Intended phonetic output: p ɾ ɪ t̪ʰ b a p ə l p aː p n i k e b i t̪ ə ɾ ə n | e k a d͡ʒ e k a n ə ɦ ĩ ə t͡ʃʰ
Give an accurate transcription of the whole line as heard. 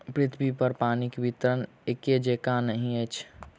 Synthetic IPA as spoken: p ɾ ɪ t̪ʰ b i p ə ɾ p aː n i k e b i t̪ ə ɾ ə n | e k e d͡ʒ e k a n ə ɦ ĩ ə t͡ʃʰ